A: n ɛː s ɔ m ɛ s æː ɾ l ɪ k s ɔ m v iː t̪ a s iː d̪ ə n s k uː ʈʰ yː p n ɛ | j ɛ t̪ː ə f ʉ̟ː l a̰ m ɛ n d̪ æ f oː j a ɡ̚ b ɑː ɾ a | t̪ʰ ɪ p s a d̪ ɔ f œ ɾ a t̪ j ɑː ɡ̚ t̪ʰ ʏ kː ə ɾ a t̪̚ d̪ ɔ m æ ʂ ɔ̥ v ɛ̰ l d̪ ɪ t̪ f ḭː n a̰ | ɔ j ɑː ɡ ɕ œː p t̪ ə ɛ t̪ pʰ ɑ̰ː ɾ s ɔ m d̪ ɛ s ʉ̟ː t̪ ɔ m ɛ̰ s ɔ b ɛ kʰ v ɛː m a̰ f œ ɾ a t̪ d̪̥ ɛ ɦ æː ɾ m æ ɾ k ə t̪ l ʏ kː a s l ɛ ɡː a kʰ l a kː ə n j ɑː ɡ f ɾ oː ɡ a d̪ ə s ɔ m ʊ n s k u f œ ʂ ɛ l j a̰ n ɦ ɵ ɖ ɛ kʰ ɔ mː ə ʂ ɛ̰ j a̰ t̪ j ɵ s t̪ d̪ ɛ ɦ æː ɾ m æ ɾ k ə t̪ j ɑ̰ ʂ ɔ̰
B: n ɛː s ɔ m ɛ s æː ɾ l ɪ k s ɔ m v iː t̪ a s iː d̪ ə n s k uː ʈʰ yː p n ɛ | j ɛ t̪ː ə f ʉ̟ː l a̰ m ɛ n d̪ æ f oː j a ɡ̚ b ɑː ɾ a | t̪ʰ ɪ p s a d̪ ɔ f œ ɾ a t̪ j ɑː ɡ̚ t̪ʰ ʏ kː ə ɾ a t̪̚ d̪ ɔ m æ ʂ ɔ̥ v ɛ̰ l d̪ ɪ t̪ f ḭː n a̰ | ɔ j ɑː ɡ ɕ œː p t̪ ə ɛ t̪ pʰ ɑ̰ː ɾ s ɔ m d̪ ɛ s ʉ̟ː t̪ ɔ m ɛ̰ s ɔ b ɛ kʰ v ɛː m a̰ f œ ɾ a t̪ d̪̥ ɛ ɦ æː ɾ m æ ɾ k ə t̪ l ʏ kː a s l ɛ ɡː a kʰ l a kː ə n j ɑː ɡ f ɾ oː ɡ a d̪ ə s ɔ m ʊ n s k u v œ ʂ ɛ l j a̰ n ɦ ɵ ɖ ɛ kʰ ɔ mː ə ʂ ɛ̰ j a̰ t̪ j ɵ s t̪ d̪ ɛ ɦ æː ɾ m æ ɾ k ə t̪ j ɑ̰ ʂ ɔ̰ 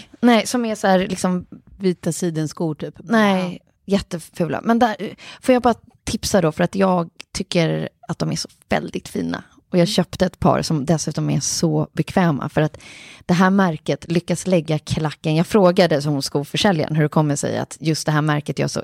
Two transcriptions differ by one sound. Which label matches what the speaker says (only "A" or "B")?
A